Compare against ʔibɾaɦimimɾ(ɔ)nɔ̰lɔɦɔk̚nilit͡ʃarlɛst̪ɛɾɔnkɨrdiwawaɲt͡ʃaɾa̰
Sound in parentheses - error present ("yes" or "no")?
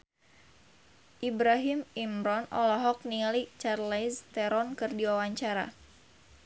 no